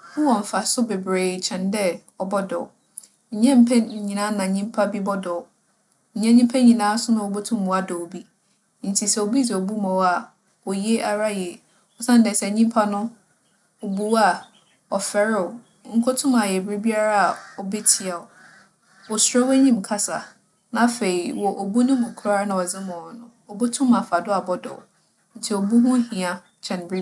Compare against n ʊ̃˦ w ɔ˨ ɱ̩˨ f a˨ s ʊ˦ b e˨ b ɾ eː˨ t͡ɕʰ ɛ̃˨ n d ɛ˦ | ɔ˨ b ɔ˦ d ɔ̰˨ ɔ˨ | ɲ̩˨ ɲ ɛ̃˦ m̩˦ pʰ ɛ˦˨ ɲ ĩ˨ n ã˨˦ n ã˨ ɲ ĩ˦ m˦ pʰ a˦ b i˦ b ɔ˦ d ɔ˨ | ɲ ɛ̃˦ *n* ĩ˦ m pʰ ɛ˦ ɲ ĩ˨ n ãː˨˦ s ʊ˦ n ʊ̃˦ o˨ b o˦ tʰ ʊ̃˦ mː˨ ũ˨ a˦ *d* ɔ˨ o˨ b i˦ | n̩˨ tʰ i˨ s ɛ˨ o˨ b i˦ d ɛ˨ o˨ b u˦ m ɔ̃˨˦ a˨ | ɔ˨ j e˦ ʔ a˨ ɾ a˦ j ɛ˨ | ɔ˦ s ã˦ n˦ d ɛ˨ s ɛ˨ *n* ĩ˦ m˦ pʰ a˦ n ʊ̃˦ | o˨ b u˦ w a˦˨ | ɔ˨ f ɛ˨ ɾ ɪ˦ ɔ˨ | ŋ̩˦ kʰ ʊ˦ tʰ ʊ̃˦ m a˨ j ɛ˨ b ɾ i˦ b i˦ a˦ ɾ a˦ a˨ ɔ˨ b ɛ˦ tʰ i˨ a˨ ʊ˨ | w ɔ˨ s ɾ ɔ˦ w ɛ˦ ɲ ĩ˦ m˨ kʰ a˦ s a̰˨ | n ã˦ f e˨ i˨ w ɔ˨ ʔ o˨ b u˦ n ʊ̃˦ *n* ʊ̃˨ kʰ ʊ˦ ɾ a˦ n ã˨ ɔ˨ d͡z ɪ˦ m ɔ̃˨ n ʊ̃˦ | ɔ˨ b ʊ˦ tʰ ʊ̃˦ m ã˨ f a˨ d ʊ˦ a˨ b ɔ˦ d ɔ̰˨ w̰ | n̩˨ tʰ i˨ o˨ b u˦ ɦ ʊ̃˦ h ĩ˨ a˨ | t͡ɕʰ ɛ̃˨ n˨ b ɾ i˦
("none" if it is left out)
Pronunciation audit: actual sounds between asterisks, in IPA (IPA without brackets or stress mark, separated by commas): ɲ, d, ɲ, m